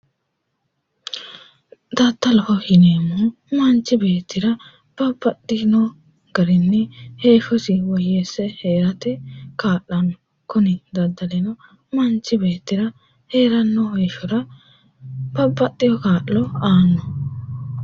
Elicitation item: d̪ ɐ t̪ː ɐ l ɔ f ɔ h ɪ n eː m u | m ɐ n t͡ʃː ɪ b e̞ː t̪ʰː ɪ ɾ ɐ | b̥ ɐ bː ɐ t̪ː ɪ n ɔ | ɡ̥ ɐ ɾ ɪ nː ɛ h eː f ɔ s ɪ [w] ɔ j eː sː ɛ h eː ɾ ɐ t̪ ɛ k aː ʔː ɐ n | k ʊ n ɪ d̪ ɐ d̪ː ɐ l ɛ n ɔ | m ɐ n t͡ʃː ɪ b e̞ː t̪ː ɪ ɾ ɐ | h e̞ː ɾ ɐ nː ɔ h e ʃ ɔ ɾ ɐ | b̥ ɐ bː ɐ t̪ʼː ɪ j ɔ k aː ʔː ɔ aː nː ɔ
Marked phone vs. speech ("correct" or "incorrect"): correct